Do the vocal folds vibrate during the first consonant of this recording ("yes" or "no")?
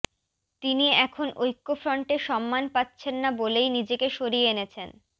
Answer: no